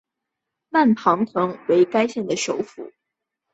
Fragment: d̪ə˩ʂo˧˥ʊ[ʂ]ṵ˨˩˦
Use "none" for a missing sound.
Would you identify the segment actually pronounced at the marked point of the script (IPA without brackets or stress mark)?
f